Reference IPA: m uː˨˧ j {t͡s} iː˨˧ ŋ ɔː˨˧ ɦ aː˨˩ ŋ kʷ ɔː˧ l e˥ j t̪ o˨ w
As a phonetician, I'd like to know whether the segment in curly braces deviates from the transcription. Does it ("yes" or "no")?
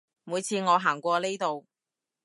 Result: yes